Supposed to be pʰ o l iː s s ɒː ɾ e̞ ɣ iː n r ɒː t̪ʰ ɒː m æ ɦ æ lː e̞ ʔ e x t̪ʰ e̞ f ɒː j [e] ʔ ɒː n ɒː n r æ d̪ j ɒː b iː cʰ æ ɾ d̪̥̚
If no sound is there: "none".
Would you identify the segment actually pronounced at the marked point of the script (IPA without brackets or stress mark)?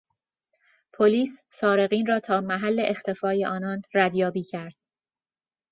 e